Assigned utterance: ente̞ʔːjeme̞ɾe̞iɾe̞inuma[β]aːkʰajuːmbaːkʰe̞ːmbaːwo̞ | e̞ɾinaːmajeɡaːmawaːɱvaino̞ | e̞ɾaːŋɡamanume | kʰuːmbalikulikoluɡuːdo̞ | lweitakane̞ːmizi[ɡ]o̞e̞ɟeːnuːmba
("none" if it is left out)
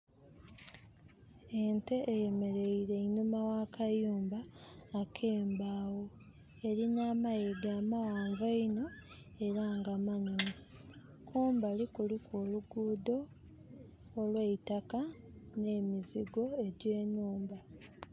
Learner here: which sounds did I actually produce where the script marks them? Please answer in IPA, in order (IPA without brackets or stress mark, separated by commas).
w, ɡ